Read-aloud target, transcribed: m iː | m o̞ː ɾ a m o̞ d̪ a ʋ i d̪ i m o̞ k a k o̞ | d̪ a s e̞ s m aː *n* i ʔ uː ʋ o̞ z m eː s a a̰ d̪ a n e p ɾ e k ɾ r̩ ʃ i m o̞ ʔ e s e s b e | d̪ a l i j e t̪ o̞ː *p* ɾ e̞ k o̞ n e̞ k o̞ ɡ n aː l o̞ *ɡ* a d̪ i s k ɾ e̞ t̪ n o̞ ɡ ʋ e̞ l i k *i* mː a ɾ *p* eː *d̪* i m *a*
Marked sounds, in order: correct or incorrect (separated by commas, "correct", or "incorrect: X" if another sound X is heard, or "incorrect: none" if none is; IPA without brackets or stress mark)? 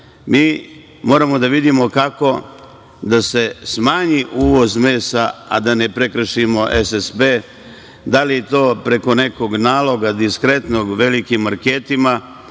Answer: incorrect: ɲ, correct, correct, correct, incorrect: k, incorrect: t̪, correct